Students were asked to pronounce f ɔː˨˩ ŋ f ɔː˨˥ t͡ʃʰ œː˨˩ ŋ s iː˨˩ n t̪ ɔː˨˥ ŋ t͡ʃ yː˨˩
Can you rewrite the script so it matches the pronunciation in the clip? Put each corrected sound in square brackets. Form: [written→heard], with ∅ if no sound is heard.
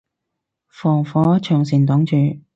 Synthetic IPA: f ɔː˨˩ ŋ f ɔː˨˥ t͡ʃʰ œː˨˩ ŋ s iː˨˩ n t̪ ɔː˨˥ ŋ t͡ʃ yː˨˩